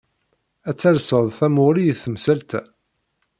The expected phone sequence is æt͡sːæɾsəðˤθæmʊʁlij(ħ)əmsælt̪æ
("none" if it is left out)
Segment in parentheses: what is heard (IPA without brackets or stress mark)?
θ